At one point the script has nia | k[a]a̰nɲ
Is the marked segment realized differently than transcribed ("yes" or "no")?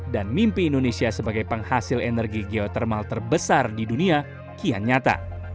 yes